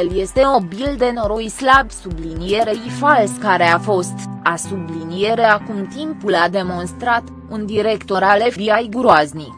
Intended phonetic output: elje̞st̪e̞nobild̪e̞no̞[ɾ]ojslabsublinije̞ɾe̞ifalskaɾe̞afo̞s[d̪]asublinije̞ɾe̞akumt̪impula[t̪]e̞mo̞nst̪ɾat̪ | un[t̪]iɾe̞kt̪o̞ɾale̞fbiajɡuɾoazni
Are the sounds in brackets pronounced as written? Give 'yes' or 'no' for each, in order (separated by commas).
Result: yes, no, no, no